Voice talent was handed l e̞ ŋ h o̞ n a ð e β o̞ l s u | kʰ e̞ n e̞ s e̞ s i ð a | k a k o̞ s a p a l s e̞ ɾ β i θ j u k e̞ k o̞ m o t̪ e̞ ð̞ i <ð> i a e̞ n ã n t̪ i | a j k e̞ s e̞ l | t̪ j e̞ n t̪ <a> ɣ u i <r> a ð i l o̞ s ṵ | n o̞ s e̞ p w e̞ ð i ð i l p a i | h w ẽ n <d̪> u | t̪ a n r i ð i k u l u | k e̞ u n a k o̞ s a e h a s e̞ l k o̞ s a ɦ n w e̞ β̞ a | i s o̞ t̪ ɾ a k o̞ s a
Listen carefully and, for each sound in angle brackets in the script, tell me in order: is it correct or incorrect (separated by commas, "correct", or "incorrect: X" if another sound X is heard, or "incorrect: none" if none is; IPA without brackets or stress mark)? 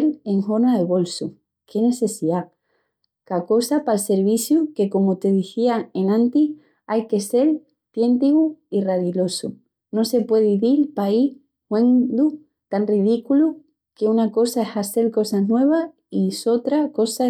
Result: incorrect: θ, incorrect: i, correct, correct